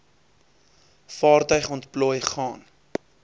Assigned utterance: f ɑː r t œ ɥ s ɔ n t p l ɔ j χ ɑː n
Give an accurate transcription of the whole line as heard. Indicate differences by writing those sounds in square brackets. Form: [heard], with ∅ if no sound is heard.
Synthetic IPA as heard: f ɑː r t œ ɥ [χ] ɔ n t p l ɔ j χ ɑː n